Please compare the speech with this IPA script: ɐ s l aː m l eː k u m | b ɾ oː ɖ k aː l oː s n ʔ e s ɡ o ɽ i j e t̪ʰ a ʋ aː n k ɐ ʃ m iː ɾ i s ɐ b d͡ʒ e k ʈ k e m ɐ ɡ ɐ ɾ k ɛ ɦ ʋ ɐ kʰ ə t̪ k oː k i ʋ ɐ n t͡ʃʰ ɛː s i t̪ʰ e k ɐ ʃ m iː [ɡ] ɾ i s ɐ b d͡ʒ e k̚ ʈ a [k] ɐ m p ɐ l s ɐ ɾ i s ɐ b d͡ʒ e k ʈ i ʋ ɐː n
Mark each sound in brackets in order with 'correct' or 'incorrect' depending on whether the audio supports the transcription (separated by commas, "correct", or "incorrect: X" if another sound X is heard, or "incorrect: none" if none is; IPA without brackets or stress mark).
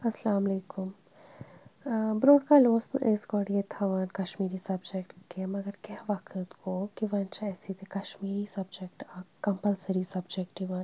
incorrect: none, correct